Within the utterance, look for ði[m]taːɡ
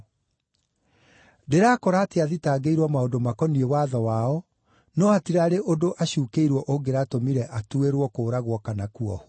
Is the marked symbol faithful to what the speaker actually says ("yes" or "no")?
no